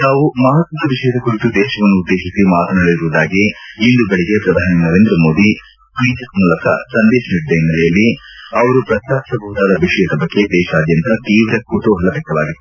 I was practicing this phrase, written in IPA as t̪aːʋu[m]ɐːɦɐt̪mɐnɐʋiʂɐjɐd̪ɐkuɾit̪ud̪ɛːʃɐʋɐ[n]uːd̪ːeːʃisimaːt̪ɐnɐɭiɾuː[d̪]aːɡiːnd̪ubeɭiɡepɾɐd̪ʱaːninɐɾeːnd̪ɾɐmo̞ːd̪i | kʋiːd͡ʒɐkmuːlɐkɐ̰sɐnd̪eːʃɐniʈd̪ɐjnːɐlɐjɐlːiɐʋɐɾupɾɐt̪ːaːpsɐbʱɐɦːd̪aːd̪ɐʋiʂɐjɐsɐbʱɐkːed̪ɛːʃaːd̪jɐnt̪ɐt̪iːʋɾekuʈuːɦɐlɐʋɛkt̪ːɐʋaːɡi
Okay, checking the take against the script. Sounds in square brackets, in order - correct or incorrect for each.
correct, incorrect: nː, correct

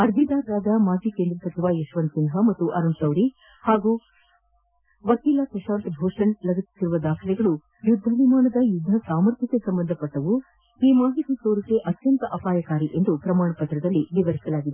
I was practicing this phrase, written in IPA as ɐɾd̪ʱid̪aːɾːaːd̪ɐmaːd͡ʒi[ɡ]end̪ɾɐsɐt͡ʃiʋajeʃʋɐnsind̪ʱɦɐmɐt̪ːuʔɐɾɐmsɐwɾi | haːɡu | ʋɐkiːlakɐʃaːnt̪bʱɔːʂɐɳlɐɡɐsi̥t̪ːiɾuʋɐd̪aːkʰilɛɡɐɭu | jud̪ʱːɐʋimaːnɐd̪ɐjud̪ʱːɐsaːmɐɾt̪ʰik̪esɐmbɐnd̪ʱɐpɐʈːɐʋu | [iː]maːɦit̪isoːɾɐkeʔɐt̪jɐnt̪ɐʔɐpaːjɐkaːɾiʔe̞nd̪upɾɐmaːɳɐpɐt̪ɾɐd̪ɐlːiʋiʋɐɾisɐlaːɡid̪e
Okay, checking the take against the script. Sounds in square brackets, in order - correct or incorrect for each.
incorrect: k, correct

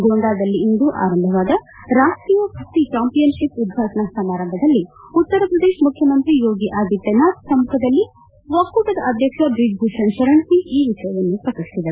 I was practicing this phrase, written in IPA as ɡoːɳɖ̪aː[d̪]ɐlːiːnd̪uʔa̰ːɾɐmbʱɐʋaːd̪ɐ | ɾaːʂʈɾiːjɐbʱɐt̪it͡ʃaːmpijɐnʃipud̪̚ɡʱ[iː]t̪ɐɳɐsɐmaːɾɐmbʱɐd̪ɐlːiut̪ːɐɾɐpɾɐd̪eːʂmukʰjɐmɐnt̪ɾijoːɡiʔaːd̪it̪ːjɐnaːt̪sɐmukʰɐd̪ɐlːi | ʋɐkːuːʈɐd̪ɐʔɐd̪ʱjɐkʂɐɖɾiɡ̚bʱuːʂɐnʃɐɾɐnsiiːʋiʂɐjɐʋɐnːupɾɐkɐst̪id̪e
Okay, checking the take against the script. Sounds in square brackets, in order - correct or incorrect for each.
correct, incorrect: aː

